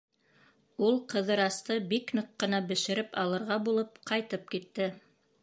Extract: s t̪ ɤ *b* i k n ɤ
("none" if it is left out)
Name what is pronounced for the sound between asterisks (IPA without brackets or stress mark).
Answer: b